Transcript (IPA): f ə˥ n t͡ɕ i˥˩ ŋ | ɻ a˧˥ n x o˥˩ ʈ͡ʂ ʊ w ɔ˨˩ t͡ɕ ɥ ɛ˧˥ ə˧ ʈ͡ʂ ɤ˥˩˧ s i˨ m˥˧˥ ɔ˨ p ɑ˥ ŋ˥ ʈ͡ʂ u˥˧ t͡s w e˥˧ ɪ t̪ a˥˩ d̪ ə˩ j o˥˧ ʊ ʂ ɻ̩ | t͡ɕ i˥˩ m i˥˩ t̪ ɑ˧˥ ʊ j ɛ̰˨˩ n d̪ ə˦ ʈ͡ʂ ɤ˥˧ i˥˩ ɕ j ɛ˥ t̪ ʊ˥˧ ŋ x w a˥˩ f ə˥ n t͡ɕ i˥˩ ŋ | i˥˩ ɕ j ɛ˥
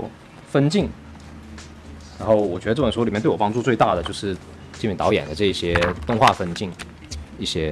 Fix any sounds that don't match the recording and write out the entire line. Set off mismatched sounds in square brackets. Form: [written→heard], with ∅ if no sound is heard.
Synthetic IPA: f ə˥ n t͡ɕ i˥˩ ŋ | ɻ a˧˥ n x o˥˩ [ʈ͡ʂ→∅] ʊ w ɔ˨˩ t͡ɕ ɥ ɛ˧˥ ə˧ ʈ͡ʂ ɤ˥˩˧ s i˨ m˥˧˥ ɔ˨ p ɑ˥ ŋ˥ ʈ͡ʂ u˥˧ t͡s w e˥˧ ɪ t̪ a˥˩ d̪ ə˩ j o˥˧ ʊ ʂ ɻ̩ | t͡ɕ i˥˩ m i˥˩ t̪ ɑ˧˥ ʊ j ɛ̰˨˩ n d̪ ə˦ ʈ͡ʂ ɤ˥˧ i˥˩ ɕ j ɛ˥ t̪ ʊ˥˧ ŋ x w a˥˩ f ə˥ n t͡ɕ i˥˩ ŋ | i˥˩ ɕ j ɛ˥